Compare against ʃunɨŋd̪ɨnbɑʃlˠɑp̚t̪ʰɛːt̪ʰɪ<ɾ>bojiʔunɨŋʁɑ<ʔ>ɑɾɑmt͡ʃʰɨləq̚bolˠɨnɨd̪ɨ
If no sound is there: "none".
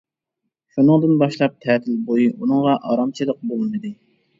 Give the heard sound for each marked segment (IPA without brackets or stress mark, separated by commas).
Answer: l, ʔ